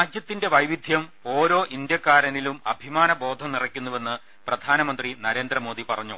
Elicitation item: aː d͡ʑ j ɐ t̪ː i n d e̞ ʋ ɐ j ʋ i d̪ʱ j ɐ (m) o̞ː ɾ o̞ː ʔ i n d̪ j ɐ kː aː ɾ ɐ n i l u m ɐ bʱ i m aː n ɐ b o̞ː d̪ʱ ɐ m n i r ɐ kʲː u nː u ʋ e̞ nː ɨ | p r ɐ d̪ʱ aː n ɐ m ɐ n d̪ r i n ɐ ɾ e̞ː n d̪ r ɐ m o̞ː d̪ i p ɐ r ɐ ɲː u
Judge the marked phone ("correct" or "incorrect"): correct